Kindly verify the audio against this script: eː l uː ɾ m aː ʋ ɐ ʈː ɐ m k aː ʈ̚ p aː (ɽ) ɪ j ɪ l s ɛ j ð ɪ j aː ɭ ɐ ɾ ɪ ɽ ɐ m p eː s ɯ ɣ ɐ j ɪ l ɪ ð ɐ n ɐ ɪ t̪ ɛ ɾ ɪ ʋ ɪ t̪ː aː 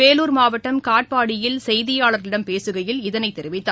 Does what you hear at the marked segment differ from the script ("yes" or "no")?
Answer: no